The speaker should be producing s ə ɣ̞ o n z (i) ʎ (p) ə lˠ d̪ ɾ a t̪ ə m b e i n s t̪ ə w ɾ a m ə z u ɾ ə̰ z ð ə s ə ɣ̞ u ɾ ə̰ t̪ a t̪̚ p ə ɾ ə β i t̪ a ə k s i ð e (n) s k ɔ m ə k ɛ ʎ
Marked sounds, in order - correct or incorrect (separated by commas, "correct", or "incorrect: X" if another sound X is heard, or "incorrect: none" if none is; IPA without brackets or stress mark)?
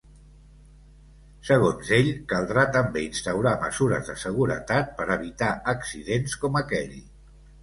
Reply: incorrect: e, incorrect: k, correct